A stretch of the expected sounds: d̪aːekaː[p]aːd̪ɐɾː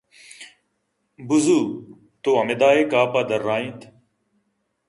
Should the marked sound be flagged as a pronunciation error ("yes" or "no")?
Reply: no